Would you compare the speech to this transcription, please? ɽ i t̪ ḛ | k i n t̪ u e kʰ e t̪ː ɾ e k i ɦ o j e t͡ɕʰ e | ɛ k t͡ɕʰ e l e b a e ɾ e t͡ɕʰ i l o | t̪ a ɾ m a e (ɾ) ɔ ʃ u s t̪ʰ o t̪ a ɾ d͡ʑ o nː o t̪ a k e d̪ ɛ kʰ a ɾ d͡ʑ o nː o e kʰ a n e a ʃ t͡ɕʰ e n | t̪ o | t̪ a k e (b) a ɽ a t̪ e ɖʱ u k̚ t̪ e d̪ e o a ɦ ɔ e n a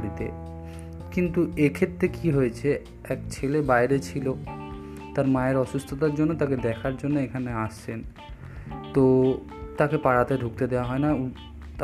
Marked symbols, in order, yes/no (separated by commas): yes, no